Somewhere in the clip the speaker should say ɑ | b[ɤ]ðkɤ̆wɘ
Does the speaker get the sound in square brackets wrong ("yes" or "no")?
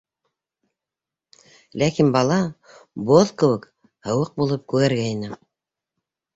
yes